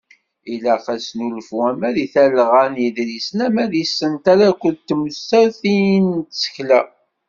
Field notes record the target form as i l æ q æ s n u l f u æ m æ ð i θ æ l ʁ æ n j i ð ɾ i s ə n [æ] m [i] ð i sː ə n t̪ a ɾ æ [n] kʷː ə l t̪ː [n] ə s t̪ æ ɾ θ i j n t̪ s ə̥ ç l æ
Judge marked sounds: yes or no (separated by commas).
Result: yes, no, no, no